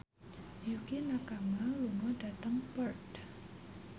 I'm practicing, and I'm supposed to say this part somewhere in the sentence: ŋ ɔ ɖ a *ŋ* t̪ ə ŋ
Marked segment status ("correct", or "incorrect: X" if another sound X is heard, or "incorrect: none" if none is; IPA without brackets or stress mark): incorrect: none